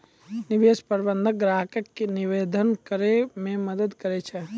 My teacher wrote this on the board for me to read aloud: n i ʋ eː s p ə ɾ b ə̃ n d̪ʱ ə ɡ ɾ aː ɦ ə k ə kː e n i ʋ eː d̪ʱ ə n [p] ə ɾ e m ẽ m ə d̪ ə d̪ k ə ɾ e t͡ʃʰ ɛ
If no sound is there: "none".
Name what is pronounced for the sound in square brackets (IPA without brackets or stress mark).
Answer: k